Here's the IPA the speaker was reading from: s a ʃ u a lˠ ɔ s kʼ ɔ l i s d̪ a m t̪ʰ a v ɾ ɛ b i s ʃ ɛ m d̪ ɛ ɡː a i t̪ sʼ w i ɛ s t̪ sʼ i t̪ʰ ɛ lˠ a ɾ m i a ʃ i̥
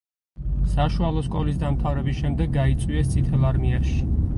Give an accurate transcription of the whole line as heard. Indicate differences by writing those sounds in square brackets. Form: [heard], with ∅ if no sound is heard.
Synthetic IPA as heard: s a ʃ u a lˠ ɔ s kʼ ɔ l i s d̪ a m t̪ʰ a v ɾ ɛ b i s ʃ ɛ m d̪ ɛ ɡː a i t̪ sʼ w i ɛ s t̪ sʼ i t̪ʰ ɛ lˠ a ɾ m i a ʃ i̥